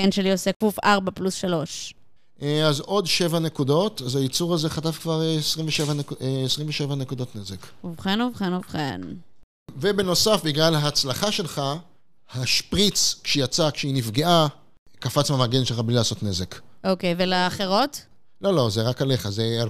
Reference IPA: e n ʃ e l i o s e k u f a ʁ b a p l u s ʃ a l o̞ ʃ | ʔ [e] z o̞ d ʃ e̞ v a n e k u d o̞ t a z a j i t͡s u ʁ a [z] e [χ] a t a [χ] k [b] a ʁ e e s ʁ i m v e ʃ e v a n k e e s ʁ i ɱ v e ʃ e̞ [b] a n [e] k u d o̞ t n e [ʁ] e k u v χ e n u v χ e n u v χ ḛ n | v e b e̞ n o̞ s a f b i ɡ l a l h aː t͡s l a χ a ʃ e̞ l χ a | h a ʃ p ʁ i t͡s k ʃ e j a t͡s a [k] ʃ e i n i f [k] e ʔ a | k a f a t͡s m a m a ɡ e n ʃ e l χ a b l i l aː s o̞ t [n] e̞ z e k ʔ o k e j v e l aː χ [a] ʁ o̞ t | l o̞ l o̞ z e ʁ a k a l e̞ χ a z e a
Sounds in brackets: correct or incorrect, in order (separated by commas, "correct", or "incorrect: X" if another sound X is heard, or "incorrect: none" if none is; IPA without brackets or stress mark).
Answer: incorrect: a, correct, correct, incorrect: f, incorrect: v, incorrect: v, correct, incorrect: z, correct, incorrect: ɡ, correct, incorrect: e